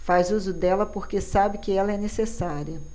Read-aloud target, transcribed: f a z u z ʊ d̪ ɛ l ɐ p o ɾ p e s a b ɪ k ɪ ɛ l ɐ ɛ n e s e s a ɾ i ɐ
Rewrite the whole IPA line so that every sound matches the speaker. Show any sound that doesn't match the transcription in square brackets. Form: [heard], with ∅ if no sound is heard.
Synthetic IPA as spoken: f a z u z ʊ d̪ ɛ l ɐ p o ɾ [k] e s a b ɪ k ɪ ɛ l ɐ ɛ n e s e s a ɾ i ɐ